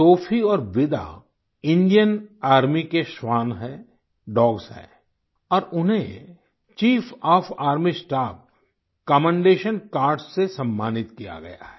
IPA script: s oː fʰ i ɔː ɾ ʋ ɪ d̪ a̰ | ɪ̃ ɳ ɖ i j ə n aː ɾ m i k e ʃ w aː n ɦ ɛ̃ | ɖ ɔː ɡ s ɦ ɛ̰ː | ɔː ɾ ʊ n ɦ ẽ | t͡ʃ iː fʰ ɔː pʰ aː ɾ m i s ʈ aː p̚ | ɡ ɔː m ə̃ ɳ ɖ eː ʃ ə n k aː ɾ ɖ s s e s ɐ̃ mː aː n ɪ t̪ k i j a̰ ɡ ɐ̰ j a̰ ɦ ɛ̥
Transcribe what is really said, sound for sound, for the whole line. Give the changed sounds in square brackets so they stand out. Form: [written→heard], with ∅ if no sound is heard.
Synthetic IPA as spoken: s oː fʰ i ɔː ɾ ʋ ɪ d̪ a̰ | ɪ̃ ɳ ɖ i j ə n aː ɾ m i k e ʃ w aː n ɦ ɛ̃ | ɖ ɔː ɡ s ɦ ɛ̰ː | ɔː ɾ ʊ n ɦ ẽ | t͡ʃ iː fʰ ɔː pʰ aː ɾ m i s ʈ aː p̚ | [ɡ→k] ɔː m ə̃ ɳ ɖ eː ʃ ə n k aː ɾ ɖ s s e s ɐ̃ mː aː n ɪ t̪ k i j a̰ ɡ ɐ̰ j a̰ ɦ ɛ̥